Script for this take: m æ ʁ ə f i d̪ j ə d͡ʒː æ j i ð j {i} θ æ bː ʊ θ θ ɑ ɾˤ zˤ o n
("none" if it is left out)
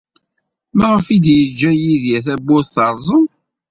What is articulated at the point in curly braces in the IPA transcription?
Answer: æ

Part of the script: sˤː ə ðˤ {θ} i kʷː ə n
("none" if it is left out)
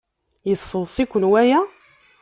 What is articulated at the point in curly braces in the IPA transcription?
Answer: s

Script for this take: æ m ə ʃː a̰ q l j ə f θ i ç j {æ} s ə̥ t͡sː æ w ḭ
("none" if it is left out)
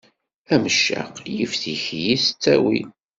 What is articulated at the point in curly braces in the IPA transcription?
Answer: i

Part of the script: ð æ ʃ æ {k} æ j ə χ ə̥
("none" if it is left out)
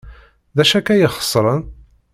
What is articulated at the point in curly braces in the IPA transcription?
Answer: k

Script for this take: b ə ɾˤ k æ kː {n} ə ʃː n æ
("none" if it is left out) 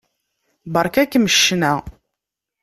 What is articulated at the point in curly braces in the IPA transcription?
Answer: m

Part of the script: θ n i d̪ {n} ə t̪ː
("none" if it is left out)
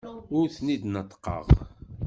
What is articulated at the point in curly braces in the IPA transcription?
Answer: n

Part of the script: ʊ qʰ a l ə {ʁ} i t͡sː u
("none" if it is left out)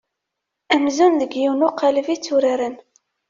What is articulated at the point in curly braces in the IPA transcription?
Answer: v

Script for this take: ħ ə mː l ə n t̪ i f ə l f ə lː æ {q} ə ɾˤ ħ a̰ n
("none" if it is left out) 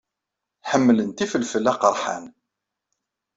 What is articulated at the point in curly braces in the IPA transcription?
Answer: q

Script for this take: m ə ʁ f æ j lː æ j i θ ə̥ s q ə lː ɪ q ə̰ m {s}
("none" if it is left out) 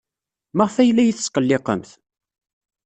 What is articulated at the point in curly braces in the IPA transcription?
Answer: θ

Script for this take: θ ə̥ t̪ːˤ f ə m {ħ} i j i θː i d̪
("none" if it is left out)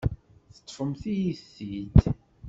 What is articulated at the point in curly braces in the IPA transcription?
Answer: θ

